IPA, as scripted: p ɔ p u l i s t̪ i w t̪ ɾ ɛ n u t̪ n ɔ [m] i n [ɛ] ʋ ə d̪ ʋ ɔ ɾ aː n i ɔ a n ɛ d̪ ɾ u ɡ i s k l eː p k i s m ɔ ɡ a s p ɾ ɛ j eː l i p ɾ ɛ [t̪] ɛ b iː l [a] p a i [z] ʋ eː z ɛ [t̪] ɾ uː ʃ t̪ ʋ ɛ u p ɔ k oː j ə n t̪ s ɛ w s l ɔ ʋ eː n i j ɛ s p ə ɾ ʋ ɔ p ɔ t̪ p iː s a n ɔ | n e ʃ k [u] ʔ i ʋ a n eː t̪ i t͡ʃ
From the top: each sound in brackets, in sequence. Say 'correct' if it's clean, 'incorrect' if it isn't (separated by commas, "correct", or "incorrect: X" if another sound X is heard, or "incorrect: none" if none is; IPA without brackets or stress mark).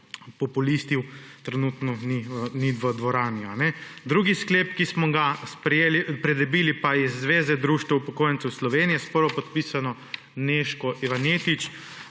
incorrect: n, incorrect: i, incorrect: d̪, incorrect: i, incorrect: zː, incorrect: d̪, incorrect: ɔ